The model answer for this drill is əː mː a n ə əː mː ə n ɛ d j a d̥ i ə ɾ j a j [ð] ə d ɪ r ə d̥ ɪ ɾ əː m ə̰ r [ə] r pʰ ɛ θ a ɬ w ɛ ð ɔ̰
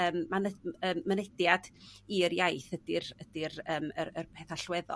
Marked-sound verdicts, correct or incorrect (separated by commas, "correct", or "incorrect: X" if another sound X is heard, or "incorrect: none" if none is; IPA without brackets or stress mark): incorrect: θ, correct